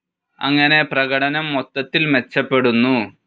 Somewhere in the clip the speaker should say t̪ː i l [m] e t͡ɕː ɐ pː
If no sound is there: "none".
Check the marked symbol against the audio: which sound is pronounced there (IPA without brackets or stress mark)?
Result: m